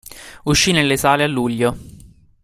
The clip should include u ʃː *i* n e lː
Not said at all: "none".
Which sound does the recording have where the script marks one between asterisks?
i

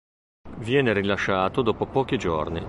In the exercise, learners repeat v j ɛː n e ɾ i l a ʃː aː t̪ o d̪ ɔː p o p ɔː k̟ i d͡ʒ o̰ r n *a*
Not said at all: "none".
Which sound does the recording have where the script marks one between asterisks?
i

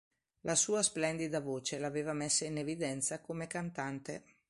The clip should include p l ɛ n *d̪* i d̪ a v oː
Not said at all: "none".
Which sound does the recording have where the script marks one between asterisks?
d̪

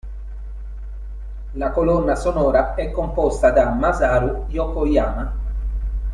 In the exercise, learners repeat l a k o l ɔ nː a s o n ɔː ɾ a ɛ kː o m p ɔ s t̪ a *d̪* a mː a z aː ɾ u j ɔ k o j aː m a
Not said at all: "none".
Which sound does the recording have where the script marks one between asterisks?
d̪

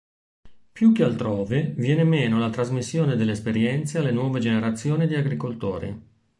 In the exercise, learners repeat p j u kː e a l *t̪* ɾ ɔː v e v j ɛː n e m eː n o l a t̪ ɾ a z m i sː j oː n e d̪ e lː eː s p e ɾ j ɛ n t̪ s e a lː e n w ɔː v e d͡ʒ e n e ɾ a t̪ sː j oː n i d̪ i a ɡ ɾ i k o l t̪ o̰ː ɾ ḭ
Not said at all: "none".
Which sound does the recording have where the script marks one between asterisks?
t̪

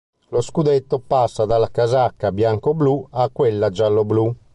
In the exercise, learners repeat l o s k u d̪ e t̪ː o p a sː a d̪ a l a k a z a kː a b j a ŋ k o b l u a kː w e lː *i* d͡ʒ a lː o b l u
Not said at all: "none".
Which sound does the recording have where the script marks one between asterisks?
a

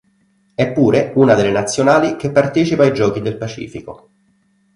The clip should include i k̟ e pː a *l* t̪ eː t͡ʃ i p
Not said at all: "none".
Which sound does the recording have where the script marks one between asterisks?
r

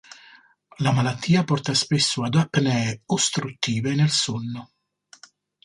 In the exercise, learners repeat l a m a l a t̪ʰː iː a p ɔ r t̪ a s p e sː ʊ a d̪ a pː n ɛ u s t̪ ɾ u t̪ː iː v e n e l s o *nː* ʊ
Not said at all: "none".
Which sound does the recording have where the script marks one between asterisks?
nː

